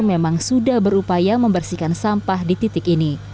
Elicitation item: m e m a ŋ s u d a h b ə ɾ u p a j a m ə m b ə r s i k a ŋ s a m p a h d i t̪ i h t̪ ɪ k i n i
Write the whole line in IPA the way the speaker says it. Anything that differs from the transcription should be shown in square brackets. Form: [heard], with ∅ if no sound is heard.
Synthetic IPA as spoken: m e m a ŋ s u d a h b ə ɾ u p a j a m ə m b ə r s i k a [n] s a m p a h d i t̪ i [∅] t̪ ɪ k i n i